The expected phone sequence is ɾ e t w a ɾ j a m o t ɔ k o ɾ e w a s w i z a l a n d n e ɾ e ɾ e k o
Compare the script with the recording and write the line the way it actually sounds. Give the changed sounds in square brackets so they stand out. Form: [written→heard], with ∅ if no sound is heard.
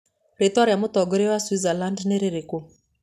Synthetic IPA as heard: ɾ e t w a ɾ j a m o t ɔ [k→ɡ] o ɾ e w a s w i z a l a n d n e ɾ e ɾ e k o

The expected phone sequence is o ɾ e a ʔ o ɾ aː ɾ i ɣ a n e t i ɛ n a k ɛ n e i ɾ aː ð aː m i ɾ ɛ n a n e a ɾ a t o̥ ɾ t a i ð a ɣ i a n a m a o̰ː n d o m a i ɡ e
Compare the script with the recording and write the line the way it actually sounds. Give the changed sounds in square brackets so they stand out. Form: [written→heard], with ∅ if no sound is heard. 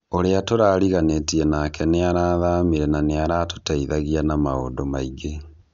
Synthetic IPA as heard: o ɾ e a [ʔ→t] o ɾ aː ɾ i ɣ a n e t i ɛ n a k ɛ n e [i→a] ɾ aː ð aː m i ɾ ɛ n a n e a ɾ a t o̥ [ɾ→∅] t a i ð a ɣ i a n a m a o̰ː n d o m a i ɡ e

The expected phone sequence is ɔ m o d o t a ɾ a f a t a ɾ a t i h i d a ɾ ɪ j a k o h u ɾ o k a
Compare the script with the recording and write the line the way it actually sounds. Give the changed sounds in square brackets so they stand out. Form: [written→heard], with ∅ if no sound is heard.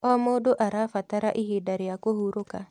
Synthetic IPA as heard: ɔ m o d o [t→ʔ] a ɾ a f a t a ɾ a [t→ʔ] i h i d a ɾ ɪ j a k o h u ɾ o k a

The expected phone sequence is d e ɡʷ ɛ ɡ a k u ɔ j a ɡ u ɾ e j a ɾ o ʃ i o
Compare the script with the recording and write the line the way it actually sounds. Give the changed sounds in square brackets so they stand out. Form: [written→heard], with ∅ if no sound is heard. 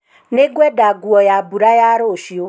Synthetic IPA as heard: [d→n] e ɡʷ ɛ [ɡ→d] a [k→ɡ] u ɔ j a [ɡ→b] u ɾ [e→a] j a ɾ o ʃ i o

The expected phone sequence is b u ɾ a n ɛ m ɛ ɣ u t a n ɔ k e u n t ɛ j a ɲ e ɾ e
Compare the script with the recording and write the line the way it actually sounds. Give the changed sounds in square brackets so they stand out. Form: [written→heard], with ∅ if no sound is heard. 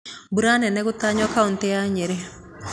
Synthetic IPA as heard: b u ɾ a n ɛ [m→n] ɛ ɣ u t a [n→ɲ] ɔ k [e→a] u n t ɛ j a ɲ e ɾ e

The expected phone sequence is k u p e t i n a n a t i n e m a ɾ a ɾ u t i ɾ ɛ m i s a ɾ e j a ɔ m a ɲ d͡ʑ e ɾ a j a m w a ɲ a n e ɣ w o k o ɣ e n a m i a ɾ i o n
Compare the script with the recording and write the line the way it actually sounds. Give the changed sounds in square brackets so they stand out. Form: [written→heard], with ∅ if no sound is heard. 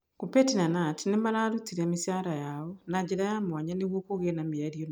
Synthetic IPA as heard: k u p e t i n a n a t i n e m a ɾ a ɾ u t i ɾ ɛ m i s a ɾ [e→a] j a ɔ [m→n] a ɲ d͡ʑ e ɾ a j a m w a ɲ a n e ɣ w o k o ɣ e n a m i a ɾ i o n

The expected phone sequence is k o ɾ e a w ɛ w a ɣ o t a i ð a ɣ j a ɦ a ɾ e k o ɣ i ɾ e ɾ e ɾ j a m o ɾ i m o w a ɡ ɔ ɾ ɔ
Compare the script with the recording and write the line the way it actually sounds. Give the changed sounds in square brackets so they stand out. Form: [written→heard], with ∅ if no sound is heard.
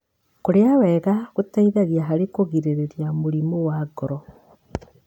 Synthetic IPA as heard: k o ɾ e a w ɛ [w→ɣ] a ɣ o t a i ð a ɣ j a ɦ a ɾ e k o ɣ i ɾ e ɾ e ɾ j a m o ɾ i m o w a ɡ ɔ ɾ ɔ

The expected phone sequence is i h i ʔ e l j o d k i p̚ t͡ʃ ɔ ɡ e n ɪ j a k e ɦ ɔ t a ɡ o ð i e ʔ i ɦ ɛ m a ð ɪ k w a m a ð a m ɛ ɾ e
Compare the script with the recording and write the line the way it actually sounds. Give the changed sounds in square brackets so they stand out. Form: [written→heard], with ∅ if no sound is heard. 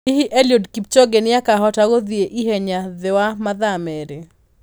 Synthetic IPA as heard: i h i ʔ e l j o d k i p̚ t͡ʃ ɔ ɡ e n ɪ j a k [e→a] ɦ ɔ t a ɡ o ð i e ʔ i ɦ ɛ [m→ɲ] a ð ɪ [k→∅] w a m a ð a m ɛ ɾ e

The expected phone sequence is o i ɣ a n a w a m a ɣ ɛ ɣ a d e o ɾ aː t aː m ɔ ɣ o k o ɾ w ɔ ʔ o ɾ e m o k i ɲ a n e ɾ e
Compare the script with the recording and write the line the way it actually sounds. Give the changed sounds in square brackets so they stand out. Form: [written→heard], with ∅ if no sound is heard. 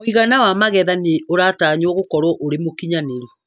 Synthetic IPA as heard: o i ɣ a n a w a m a ɣ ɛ [ɣ→ð] a [d→n] e o ɾ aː t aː [m→ɲ] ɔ ɣ o k [o→ɔ] ɾ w ɔ ʔ o ɾ e m o k i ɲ a n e ɾ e

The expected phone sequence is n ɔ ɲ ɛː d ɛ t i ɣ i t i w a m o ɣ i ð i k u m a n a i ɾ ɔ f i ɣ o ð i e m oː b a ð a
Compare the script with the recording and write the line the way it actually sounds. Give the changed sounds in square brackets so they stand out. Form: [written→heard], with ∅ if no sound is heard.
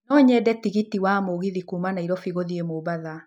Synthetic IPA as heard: n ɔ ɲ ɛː d ɛ t i ɣ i t i w a m o ɣ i ð i k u m a n a i ɾ ɔ f i ɣ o ð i e m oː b a ð a

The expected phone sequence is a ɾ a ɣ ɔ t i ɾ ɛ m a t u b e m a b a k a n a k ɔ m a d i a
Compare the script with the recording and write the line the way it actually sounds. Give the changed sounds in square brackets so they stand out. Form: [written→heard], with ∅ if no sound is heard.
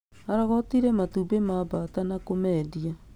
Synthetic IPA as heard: a ɾ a ɣ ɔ t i ɾ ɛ m a t u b e m a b a [k→t] a n a k [ɔ→o] m [a→ɛ] d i a

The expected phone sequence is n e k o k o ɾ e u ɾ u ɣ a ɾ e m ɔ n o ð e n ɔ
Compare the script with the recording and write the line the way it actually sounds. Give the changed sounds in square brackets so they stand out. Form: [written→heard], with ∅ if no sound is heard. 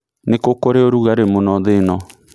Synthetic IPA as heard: n e k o k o ɾ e [u→o] ɾ u ɣ a ɾ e m [ɔ→o] n [o→ɔ] ð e n ɔ

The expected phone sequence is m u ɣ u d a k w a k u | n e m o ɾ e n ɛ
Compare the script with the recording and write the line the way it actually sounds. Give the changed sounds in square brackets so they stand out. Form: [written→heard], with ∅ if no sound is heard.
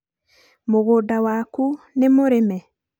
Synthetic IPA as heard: m [u→o] ɣ [u→o] d a [k→∅] w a k u | n e m o ɾ e [n→m] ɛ

